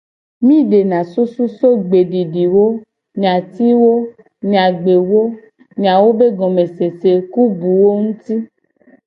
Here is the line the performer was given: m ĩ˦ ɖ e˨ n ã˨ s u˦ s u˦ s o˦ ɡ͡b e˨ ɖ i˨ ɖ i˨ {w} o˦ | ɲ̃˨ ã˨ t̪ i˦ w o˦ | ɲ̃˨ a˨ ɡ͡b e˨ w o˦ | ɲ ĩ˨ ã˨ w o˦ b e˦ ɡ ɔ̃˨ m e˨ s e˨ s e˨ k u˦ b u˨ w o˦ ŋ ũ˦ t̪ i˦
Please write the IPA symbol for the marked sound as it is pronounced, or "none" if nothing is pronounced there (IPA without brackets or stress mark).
w